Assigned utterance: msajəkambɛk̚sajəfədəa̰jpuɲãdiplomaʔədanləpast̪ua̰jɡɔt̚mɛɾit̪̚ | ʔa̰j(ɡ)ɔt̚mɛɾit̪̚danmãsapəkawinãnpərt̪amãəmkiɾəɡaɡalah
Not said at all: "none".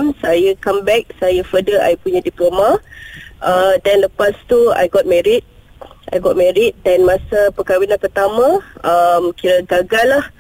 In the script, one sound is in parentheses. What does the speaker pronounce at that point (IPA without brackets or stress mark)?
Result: ɡ